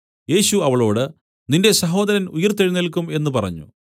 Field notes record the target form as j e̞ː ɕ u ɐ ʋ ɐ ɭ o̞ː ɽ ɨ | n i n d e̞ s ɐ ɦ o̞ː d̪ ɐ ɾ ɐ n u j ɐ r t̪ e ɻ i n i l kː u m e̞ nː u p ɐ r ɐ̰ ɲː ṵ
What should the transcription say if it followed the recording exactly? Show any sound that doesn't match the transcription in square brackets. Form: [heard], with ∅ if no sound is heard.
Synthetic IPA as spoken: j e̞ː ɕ u ɐ ʋ ɐ ɭ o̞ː ɽ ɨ | n i n d e̞ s ɐ ɦ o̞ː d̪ ɐ ɾ ɐ n u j ɐ r t̪ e ɻ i n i l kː u m e̞ nː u p ɐ r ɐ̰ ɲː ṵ